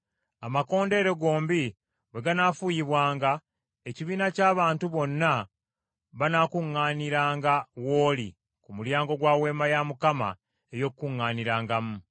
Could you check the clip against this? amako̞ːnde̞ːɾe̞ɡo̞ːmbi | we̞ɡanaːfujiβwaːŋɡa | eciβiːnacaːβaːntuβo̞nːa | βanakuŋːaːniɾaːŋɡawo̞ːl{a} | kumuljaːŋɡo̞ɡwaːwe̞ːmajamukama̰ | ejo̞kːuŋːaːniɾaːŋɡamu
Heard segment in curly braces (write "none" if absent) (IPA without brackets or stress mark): i